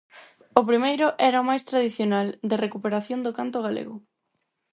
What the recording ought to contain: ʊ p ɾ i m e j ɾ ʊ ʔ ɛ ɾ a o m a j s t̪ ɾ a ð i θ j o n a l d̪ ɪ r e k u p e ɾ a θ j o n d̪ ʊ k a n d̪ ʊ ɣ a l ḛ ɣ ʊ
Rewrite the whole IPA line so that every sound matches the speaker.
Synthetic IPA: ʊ p ɾ i m e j ɾ ʊ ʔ ɛ ɾ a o m a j s t̪ ɾ a ð i θ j o n a l d̪ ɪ r e k u p e ɾ a θ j o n d̪ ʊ k a n t̪ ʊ ɣ a l ḛ ɣ ʊ

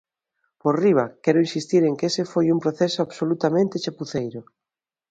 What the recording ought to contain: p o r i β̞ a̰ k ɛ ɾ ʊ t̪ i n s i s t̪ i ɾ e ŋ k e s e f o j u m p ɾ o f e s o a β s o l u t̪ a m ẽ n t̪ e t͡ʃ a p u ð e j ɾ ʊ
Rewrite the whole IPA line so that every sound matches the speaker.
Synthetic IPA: p o r i β̞ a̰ k ɛ ɾ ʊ i n s i s t̪ i ɾ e ŋ k e s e f o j u m p ɾ o θ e s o a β s o l u t̪ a m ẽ n t̪ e t͡ʃ a p u θ e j ɾ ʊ

